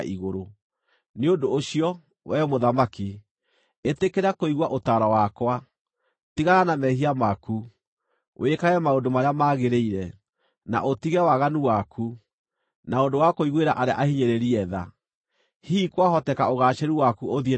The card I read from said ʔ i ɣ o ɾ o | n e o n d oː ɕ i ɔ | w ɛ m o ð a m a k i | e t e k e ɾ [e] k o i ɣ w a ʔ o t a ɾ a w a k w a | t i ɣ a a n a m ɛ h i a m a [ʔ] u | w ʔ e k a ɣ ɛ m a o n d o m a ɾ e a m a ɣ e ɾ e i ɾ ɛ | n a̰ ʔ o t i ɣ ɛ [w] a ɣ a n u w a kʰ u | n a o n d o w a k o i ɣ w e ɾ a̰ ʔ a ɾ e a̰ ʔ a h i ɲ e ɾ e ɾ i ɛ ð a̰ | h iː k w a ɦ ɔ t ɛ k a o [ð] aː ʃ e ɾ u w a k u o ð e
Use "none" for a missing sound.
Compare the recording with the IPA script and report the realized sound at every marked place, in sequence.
a, k, w, ɣ

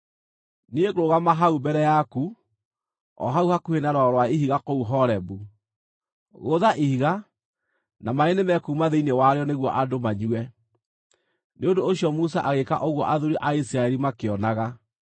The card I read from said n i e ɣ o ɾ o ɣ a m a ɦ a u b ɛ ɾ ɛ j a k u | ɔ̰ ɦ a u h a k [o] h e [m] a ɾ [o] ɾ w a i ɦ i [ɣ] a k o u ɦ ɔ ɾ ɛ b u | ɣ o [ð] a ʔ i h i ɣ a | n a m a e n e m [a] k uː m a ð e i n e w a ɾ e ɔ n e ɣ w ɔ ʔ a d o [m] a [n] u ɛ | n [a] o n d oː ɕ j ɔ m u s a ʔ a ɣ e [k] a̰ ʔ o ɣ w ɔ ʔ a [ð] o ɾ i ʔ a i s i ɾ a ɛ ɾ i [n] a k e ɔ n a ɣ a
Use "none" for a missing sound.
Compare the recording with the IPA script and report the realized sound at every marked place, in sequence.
u, n, ɔ, ɣ, ð, ɛ, m, ɲ, e, k, ð, m

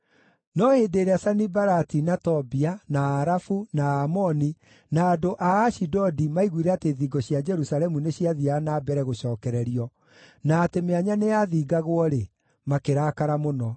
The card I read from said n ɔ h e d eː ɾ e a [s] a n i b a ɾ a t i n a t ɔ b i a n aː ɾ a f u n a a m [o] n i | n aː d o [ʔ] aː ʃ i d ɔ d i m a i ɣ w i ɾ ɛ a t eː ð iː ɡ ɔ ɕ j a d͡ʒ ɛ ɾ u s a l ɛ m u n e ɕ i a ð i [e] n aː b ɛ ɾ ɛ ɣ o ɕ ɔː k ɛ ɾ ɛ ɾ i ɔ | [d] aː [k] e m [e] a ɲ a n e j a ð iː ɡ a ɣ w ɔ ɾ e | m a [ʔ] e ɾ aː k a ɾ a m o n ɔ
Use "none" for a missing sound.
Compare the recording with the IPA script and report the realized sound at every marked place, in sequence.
s, ɔ, ʔ, a, n, t, e, k

